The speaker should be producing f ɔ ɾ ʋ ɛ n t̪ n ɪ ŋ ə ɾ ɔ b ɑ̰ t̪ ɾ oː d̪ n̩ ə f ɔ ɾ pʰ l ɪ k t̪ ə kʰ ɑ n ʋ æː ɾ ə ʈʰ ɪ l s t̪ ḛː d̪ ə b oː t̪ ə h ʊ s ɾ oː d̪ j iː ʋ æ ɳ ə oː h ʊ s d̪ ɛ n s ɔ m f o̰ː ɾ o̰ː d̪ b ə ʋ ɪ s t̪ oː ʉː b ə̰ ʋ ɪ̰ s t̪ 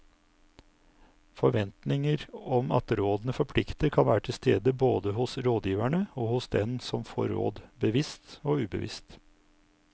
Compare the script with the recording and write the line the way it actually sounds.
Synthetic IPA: f ɔ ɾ ʋ ɛ n t̪ n ɪ ŋ ə ɾ ɔ m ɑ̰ t̪ ɾ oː d̪ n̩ ə f ɔ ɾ pʰ l ɪ k t̪ ə kʰ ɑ n ʋ æː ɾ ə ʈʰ ɪ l s t̪ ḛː d̪ ə b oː d̪ ə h ʊ s ɾ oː d̪ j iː ʋ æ ɳ ə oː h ʊ s d̪ ɛ n s ɔ m f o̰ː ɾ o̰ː d̪ b ə ʋ ɪ s t̪ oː ʉː b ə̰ ʋ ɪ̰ s t̪